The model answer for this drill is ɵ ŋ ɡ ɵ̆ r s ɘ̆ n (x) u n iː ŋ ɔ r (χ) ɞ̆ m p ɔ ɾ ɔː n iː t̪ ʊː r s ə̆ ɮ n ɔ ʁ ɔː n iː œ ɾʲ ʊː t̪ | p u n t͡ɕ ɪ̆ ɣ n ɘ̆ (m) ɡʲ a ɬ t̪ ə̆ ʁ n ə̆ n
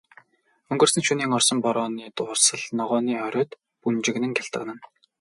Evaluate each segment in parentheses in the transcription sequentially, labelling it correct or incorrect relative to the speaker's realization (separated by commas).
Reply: incorrect, incorrect, incorrect